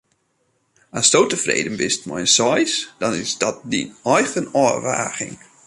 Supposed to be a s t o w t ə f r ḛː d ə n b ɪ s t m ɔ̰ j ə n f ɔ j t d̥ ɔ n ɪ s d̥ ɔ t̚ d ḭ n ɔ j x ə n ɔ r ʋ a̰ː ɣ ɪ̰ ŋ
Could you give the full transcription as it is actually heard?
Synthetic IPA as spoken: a s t o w t ə f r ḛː d ə n b ɪ s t m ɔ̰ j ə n s ɔ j s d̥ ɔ n ɪ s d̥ ɔ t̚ d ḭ n ɔ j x ə n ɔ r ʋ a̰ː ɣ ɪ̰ ŋ